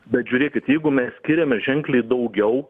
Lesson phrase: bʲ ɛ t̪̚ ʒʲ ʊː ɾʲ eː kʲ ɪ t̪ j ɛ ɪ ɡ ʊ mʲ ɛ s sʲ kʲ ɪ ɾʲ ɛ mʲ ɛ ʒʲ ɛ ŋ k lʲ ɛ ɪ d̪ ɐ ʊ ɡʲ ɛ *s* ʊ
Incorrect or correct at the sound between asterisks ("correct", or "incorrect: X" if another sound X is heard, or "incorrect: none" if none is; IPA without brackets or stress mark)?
incorrect: none